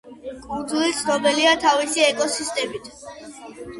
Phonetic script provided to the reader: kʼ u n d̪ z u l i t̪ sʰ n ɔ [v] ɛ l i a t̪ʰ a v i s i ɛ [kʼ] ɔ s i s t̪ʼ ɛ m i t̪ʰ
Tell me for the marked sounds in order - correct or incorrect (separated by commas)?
incorrect, correct